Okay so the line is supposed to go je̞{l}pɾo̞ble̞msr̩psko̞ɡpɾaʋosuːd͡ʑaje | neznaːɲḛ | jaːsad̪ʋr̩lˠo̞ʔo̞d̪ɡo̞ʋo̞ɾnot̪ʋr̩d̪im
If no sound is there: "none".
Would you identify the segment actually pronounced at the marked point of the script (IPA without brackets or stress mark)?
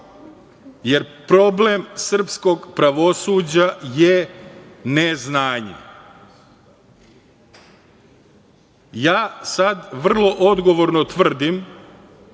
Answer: ɾ